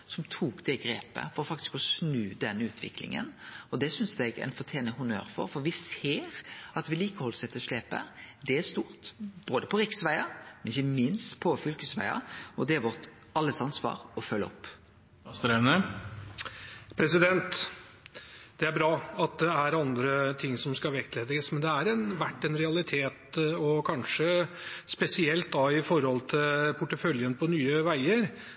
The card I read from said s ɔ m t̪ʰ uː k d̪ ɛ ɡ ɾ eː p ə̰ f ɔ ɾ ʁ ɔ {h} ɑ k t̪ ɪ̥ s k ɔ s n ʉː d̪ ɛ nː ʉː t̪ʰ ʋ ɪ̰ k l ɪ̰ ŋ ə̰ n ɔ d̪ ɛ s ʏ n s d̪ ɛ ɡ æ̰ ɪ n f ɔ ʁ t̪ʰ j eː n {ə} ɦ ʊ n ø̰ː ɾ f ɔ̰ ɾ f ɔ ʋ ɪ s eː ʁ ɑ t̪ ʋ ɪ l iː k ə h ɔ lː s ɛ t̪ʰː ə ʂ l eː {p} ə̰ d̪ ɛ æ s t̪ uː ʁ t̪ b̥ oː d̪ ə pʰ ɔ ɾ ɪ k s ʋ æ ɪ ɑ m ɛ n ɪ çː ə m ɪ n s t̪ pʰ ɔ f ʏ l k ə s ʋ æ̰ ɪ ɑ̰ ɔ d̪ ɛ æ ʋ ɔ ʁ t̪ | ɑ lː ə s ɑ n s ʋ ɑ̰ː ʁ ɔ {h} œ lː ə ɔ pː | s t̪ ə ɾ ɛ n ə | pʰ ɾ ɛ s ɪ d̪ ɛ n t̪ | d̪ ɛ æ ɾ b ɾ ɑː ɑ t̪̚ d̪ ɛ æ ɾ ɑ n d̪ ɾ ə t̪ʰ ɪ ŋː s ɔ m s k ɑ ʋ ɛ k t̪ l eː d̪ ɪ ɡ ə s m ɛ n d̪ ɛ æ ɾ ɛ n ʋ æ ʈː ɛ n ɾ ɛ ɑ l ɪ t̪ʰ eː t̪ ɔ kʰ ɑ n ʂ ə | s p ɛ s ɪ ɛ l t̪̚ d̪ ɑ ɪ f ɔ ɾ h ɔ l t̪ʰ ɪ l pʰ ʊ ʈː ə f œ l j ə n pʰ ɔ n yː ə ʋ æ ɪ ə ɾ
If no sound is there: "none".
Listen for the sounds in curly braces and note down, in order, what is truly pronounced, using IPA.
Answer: f, ə, p, f

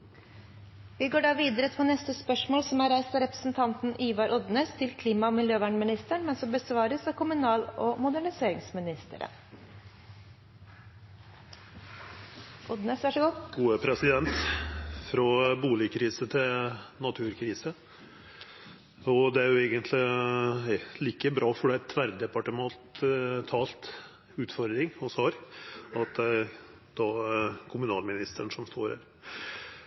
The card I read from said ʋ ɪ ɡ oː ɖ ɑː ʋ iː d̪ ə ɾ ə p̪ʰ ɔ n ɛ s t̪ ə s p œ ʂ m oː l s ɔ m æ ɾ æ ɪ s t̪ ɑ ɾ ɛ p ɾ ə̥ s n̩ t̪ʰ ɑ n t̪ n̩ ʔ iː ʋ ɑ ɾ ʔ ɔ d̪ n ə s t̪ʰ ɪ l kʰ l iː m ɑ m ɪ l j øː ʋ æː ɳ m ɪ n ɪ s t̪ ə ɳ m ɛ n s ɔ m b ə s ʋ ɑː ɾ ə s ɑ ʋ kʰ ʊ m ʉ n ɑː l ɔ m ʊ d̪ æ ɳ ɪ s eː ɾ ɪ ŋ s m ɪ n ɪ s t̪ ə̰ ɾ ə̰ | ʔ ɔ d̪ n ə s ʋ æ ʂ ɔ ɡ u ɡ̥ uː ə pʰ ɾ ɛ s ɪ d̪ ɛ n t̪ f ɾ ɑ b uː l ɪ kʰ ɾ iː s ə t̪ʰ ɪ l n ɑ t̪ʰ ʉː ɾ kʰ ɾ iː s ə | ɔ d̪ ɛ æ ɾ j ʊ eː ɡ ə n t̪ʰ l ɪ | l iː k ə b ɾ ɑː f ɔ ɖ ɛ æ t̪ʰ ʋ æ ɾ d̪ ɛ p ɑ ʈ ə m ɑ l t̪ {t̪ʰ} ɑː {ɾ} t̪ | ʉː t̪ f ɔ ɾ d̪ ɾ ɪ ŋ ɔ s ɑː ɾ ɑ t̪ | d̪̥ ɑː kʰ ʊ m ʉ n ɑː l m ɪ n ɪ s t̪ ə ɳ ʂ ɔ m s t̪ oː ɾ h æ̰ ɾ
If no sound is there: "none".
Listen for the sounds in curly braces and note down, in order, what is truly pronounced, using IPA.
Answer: t̪ʰ, l

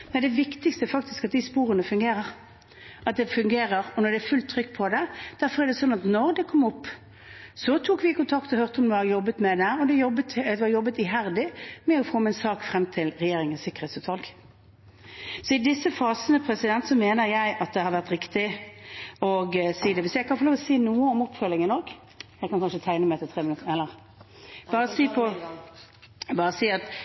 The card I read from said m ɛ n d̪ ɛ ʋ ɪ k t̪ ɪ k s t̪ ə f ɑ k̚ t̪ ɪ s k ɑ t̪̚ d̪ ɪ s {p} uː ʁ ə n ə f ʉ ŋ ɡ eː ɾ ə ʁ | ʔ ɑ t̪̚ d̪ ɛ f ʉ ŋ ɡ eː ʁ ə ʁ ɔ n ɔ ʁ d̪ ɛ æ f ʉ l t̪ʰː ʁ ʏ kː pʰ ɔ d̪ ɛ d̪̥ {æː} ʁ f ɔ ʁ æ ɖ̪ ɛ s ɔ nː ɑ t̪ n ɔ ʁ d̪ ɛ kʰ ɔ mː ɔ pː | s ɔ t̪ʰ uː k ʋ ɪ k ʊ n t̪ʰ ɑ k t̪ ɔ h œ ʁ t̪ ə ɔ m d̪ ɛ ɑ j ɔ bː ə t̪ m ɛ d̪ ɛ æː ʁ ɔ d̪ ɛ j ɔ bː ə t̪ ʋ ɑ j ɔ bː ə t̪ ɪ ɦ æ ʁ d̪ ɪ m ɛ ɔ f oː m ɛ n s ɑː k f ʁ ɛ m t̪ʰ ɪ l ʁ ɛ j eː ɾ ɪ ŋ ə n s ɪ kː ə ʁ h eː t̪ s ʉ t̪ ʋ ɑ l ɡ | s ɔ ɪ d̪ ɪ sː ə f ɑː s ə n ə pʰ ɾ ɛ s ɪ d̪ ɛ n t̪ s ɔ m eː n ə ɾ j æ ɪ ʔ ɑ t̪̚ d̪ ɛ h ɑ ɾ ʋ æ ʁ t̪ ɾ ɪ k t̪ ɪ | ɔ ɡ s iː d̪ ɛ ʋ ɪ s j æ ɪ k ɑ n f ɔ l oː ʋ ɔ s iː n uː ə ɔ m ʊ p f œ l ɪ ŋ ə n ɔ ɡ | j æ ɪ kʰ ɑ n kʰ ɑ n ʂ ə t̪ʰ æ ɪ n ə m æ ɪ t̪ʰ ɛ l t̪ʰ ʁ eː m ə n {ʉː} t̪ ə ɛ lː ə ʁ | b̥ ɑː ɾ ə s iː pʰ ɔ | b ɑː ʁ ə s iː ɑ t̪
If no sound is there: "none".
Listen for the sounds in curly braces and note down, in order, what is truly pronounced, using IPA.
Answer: p, æ, ʉ

